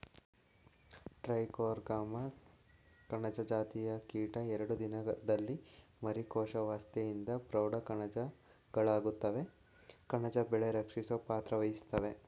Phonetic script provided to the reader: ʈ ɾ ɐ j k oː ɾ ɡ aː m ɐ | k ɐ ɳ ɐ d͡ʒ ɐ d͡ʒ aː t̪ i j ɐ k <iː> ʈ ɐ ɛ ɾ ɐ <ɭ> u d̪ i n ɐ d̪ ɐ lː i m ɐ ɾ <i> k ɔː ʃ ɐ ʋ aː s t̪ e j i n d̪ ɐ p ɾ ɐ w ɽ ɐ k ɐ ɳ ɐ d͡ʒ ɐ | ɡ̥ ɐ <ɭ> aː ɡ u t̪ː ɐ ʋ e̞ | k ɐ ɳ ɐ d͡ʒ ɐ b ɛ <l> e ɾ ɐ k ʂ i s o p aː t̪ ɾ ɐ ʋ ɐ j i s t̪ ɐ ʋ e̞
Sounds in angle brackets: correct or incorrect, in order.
correct, incorrect, correct, correct, incorrect

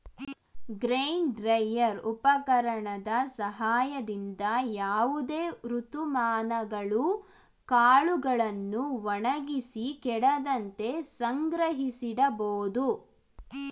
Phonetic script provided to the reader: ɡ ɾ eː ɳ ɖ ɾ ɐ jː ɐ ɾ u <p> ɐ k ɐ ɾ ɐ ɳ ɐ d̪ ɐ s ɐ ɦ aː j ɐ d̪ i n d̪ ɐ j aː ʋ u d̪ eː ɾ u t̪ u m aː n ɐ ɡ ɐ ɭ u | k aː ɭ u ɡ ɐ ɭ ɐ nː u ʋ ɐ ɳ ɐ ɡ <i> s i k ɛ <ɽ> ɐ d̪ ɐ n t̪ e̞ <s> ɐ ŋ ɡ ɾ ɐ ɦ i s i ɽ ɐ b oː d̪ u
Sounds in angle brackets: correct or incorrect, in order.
correct, correct, correct, correct

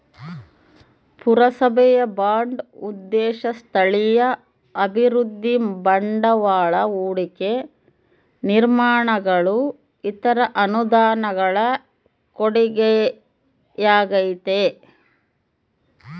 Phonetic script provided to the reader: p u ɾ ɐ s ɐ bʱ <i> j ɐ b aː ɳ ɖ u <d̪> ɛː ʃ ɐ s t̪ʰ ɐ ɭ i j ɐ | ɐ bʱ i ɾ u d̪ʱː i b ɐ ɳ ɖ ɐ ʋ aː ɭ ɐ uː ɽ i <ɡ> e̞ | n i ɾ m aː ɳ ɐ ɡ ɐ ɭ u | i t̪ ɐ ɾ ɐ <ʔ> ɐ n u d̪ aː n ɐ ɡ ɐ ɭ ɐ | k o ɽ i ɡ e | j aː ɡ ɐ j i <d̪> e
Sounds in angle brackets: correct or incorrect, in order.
incorrect, incorrect, incorrect, correct, incorrect

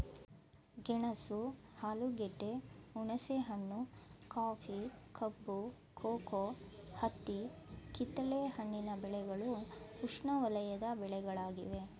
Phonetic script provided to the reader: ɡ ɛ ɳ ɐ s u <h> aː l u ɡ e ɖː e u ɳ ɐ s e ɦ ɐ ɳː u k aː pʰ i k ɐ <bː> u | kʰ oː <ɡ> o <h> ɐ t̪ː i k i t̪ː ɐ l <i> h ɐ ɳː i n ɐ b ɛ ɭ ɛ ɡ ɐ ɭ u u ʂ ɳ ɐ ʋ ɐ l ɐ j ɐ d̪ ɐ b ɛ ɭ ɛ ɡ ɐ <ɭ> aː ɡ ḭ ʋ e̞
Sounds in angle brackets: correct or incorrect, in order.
correct, correct, incorrect, correct, incorrect, correct

